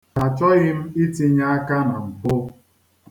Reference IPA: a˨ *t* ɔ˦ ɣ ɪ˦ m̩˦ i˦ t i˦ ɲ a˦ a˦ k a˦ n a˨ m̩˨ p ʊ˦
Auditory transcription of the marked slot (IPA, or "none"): t͡ʃ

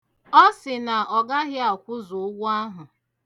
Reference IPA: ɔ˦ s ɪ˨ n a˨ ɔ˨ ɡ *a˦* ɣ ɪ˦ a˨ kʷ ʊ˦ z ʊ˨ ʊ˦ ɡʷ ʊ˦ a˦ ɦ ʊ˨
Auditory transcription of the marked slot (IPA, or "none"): a˦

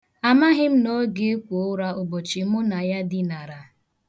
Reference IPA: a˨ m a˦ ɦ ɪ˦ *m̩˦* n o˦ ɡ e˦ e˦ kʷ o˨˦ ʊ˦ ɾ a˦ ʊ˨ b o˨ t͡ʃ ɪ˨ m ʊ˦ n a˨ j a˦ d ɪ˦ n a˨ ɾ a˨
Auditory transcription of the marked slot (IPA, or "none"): m̩˦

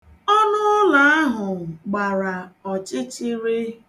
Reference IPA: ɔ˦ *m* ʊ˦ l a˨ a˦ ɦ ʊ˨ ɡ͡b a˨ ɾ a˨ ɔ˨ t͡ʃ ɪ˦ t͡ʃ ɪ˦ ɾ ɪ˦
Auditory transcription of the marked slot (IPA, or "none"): n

